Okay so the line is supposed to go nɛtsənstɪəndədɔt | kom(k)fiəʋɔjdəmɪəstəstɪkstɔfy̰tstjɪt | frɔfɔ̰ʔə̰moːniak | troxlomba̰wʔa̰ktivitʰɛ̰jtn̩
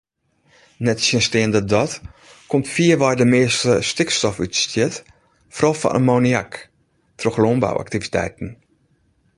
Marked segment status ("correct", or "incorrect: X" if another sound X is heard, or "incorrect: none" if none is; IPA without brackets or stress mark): incorrect: t